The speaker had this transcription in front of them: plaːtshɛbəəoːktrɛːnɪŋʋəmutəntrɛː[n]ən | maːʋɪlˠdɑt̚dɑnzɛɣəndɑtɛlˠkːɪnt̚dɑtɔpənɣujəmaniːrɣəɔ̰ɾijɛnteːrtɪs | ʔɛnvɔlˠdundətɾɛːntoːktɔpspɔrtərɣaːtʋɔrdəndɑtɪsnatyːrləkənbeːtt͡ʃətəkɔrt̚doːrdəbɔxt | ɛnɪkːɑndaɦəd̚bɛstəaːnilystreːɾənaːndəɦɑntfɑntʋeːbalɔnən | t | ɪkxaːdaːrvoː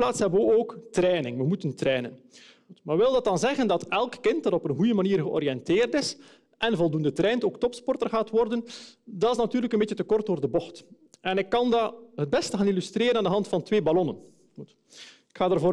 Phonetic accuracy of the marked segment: correct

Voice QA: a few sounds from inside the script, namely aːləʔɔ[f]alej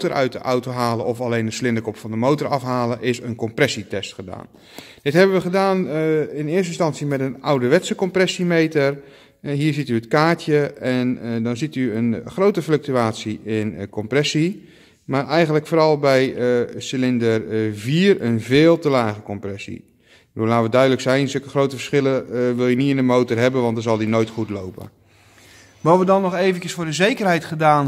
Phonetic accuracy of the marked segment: correct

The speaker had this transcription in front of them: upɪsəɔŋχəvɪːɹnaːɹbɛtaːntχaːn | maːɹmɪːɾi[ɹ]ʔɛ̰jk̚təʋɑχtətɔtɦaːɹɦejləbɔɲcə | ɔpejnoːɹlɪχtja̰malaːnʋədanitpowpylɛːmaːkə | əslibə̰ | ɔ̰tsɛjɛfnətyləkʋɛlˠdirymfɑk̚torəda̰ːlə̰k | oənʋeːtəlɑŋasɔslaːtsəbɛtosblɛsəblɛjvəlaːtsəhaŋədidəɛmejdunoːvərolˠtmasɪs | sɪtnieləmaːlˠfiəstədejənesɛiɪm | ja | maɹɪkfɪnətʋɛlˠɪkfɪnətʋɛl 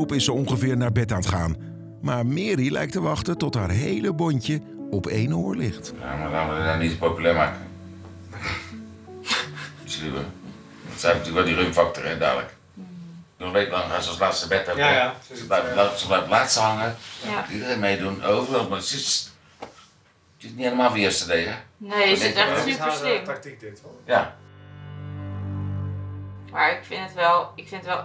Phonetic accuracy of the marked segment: incorrect: l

